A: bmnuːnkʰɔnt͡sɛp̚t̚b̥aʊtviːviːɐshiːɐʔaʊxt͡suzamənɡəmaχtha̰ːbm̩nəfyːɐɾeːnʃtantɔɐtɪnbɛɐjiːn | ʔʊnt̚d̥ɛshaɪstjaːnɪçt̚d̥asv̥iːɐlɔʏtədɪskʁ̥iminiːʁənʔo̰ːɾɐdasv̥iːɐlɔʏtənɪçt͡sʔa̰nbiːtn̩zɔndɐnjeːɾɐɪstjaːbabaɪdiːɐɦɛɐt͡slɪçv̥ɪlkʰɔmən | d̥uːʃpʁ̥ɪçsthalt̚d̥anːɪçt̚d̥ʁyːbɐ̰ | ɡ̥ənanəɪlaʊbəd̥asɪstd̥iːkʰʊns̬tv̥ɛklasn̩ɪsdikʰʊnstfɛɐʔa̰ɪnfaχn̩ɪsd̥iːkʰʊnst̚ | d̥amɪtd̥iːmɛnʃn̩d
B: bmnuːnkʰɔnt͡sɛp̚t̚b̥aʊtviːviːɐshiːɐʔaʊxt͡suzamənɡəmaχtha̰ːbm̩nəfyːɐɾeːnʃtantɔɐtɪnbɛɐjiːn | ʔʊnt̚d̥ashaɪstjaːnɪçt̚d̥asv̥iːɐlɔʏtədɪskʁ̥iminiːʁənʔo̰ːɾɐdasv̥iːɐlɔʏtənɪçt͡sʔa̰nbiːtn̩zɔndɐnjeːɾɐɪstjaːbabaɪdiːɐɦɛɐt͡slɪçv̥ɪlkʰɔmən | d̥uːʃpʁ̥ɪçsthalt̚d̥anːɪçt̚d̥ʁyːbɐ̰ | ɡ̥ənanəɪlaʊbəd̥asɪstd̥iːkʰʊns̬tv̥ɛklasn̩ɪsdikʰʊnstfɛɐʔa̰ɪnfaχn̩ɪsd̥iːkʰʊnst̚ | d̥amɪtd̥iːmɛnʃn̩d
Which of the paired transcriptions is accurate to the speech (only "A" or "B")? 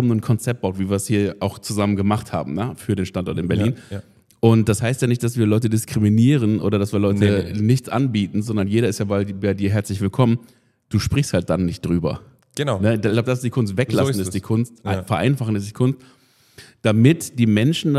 B